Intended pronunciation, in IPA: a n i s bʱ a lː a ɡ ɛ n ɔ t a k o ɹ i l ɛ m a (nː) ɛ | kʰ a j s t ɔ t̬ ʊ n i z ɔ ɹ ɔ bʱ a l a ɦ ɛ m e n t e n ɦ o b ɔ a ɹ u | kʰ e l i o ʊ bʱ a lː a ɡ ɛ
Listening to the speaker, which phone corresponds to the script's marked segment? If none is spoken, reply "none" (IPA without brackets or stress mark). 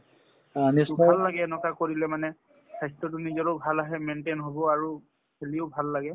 n